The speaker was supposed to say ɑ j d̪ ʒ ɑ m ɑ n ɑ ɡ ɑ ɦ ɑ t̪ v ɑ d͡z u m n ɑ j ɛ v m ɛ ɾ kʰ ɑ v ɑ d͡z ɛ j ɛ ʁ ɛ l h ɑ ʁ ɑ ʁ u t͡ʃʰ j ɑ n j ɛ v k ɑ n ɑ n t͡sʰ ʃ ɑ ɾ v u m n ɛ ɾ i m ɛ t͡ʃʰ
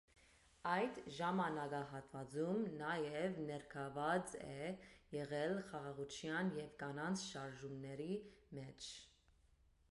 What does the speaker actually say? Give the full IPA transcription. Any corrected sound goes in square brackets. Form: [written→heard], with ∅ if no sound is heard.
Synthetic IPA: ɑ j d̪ ʒ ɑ m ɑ n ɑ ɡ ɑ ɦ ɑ t̪ v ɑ d͡z u m n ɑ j ɛ v [m→n] ɛ ɾ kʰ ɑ v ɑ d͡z ɛ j ɛ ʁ ɛ l [h→χ] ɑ ʁ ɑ ʁ u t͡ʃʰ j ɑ n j ɛ v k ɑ n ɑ n t͡sʰ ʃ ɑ ɾ [v→ʒ] u m n ɛ ɾ i m ɛ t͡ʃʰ